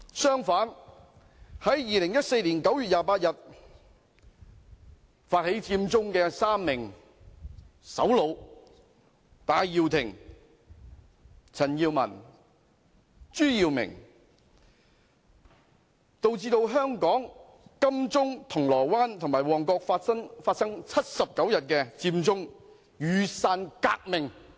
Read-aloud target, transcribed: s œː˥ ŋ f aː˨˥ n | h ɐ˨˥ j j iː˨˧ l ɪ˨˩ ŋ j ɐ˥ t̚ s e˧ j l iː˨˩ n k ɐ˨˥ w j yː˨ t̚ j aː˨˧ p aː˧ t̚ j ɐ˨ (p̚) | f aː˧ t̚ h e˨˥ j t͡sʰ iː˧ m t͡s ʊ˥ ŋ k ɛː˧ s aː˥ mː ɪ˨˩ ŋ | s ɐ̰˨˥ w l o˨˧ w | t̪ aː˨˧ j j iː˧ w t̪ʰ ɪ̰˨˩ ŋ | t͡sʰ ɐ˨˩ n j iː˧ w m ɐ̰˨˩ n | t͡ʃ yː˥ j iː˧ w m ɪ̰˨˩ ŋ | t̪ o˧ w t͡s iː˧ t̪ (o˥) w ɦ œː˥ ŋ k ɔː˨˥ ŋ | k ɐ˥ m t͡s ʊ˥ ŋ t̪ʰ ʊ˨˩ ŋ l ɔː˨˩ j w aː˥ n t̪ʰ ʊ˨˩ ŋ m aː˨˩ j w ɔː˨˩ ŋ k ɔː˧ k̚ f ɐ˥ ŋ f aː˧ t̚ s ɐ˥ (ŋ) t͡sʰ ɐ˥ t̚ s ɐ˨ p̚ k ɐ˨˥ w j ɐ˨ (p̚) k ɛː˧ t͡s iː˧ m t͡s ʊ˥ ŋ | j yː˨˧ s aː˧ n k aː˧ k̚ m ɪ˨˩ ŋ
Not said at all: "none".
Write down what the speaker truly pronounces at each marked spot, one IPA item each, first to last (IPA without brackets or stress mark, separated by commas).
t̚, o˧, ŋ, t̚